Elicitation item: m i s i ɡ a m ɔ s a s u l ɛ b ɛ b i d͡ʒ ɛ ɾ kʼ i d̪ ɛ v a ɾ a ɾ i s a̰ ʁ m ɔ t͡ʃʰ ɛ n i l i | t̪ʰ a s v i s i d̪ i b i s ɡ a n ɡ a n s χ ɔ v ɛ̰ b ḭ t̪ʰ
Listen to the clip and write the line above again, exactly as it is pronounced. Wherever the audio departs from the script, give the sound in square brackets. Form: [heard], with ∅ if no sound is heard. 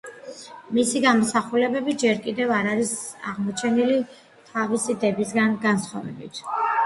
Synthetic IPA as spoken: m i s i ɡ a m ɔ s a [χ] u l ɛ b ɛ b i d͡ʒ ɛ ɾ kʼ i d̪ ɛ v a ɾ a ɾ i s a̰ ʁ m ɔ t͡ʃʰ ɛ n i l i | t̪ʰ a [∅] v i s i d̪ [ɛ] b i s ɡ a n ɡ a n s χ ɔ v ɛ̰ b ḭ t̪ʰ